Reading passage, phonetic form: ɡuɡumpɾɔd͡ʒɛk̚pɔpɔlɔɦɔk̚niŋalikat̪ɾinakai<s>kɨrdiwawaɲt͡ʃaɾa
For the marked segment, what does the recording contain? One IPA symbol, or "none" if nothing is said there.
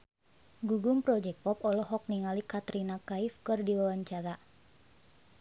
f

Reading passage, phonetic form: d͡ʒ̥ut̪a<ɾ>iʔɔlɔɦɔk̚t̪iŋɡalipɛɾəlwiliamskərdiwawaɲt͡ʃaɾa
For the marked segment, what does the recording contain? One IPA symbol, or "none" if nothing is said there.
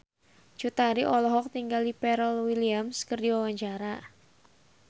ɾ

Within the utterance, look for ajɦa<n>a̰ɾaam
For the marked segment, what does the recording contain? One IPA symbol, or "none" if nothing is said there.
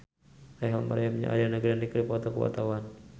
m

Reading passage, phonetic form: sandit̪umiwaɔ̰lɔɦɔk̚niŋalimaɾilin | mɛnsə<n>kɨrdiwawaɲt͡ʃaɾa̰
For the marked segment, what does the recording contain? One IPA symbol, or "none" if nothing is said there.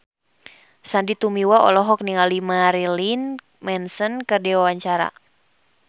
n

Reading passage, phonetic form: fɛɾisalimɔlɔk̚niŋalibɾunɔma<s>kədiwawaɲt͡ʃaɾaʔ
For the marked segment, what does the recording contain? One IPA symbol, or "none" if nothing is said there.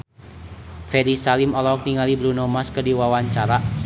s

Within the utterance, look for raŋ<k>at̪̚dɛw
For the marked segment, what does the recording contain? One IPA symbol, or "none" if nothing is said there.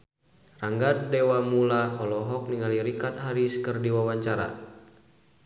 ɡ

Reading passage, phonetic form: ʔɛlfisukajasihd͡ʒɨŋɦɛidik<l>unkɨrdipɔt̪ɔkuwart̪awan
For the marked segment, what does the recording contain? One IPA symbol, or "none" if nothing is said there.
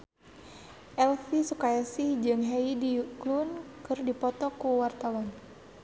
l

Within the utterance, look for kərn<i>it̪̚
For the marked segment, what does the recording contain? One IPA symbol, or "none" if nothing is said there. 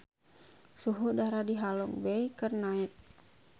a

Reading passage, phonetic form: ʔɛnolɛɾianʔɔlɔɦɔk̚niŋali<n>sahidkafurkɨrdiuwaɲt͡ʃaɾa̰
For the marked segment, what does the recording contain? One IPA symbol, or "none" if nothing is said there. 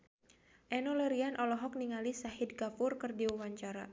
none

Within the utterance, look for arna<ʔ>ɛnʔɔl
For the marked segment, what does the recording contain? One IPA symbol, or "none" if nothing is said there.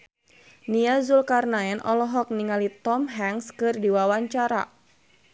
none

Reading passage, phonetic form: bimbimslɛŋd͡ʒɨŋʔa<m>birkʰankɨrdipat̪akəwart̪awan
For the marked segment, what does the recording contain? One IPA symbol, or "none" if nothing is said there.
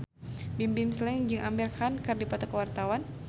m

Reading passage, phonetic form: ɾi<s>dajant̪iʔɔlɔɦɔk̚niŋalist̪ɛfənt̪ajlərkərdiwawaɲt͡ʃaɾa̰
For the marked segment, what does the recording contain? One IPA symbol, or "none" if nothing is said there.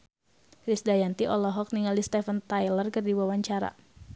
s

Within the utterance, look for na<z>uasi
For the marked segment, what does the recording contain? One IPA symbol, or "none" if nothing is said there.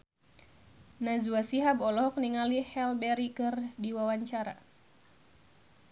z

